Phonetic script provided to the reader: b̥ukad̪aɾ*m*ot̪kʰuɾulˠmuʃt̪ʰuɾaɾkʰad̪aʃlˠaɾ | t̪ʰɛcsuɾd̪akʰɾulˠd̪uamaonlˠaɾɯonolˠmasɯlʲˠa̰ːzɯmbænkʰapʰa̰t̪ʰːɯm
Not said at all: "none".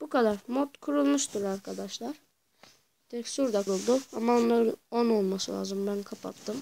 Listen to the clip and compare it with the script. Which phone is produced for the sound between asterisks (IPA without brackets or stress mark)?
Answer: m